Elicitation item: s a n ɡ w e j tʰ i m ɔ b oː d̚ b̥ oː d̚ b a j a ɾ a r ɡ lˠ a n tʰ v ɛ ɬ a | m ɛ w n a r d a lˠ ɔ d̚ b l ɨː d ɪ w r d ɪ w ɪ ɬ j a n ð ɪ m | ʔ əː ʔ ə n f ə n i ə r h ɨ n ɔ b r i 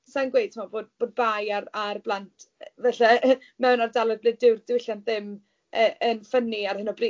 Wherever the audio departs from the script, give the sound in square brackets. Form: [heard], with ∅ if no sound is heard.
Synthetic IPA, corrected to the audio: s a n ɡ w e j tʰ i m ɔ b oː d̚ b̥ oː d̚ b a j a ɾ a r [b] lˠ a n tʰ v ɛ ɬ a | m ɛ w n a r d a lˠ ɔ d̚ b l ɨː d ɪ w r d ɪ w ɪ ɬ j a n ð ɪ m | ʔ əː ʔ ə n f ə n i [a] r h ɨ n ɔ b r i

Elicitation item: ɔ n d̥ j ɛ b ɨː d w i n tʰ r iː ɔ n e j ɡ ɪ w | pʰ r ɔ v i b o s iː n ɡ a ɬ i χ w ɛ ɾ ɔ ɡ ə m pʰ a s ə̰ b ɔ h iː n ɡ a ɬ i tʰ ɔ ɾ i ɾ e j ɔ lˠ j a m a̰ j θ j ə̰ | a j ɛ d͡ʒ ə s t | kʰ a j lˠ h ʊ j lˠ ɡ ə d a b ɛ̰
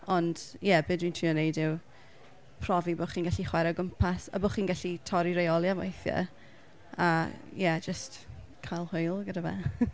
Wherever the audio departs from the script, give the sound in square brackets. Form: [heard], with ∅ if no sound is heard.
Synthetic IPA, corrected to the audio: ɔ n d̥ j ɛ b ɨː d w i n tʰ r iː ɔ n e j [d] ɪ w | pʰ r ɔ v i b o [χ] iː n ɡ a ɬ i χ w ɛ ɾ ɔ ɡ ə m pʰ a s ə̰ b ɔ [χ] iː n ɡ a ɬ i tʰ ɔ ɾ i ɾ e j ɔ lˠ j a m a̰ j θ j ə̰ | a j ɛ d͡ʒ ə s t | kʰ a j lˠ h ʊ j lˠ ɡ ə d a [v] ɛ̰

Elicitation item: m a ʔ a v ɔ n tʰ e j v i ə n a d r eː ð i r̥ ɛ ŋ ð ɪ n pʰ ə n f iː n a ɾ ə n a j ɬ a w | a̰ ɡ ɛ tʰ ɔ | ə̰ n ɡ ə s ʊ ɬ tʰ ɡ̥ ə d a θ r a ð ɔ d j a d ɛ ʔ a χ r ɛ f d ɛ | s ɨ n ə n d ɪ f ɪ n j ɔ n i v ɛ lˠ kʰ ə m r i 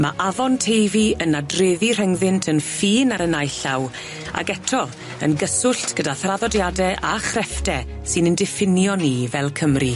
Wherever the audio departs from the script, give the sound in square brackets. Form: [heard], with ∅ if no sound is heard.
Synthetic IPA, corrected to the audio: m a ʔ a v ɔ n tʰ e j v i ə n a d r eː ð i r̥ ɛ ŋ ð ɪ n [tʰ] ə n f iː n a ɾ ə n a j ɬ a w | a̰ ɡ ɛ tʰ ɔ | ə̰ n ɡ ə s ʊ ɬ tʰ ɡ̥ ə d a θ r a ð ɔ d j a d ɛ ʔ a χ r ɛ f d ɛ | s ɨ n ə n d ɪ f ɪ n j ɔ n i v ɛ lˠ kʰ ə m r i

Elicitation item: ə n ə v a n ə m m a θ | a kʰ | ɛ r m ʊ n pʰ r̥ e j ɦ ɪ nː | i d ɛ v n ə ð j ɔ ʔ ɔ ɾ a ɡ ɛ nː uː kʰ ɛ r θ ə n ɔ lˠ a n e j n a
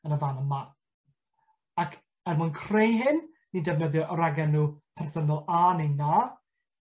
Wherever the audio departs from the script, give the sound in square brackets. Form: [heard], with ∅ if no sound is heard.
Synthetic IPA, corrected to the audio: ə n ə v a n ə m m a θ | a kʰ | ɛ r m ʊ n [kʰ] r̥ e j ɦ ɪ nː | i d ɛ v n ə ð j ɔ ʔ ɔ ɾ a ɡ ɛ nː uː [pʰ] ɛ r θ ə n ɔ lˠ a n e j n a

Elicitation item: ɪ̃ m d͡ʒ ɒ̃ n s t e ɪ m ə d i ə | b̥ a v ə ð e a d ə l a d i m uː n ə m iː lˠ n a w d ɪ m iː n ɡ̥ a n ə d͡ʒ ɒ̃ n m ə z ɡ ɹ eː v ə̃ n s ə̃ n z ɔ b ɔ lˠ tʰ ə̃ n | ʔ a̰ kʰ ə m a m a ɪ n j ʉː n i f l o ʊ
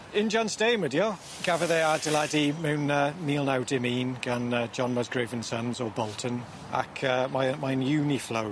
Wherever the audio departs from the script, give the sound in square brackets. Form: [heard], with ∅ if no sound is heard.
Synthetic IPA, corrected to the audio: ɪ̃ [n] d͡ʒ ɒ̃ n s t e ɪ m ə d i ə | [ɡ̥] a v ə ð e a d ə l a d i m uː n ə m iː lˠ n a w d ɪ m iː n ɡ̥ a n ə d͡ʒ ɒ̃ n m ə z ɡ ɹ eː v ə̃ n s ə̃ n z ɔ b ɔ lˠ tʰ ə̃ n | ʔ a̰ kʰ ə m a m a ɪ n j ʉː n i f l o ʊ

